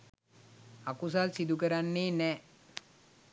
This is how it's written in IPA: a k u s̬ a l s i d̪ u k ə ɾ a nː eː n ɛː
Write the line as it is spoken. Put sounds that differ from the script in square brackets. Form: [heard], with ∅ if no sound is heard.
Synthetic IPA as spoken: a k u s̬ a l s i d̪ u k ə ɾ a nː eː n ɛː